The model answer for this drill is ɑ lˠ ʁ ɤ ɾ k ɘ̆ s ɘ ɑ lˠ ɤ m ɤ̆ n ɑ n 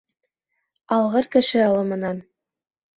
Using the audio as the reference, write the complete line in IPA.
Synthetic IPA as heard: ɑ lˠ ʁ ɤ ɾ k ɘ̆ ʃ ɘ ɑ lˠ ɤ m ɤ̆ n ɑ n